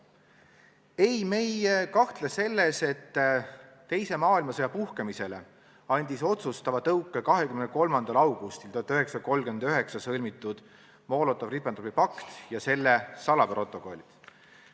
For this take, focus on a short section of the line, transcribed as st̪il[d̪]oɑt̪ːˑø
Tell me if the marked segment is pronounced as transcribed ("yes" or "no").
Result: no